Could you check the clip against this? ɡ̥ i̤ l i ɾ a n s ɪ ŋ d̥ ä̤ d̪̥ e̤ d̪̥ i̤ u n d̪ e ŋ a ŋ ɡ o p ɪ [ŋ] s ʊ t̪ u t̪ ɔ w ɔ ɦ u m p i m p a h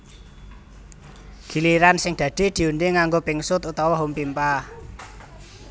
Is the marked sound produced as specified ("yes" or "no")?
yes